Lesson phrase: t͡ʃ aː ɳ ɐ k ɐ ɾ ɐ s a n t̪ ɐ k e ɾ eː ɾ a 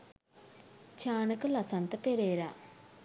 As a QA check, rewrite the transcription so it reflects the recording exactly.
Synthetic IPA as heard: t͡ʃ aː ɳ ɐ k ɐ l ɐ s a n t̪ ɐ p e ɾ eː ɾ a